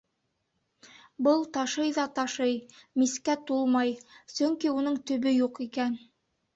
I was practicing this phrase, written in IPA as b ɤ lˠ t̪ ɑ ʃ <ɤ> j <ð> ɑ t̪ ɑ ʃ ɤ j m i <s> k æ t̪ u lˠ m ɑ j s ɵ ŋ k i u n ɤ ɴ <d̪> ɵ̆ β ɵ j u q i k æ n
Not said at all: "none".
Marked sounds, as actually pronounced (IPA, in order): ɤ, ð, s, t̪

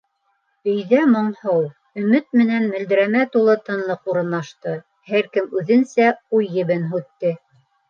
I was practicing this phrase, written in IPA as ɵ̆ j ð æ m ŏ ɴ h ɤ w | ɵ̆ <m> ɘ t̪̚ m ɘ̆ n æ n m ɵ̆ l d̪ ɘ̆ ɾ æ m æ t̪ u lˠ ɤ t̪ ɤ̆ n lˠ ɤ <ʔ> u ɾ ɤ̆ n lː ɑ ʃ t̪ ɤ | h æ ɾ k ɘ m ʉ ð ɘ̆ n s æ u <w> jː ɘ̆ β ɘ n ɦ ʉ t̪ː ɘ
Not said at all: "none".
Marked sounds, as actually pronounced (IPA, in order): m, q, none

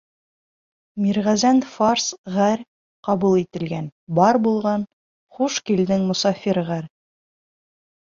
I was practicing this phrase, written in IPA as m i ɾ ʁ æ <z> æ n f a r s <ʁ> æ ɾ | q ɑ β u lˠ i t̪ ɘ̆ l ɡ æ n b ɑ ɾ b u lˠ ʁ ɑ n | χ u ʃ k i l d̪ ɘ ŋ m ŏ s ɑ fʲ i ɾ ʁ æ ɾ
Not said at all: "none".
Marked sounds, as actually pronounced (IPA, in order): z, ʁ

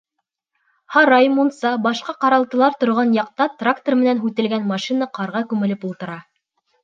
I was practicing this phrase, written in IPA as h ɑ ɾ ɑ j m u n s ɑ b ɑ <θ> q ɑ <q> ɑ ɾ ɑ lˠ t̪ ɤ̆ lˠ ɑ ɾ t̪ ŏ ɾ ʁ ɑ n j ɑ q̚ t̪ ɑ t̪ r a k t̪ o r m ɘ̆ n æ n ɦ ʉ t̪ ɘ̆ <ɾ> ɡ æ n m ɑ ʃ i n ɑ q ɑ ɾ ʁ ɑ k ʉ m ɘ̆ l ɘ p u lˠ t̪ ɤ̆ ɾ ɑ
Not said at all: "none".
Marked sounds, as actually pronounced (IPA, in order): ʃ, q, l

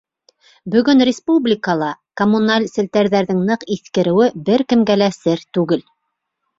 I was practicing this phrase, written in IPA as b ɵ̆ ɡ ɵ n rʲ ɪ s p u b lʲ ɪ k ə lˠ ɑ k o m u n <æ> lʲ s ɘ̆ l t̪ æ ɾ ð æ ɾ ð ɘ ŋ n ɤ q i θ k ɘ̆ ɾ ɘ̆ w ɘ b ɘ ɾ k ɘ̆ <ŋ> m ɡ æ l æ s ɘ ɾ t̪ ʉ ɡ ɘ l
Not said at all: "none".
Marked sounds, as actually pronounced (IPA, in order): a, none

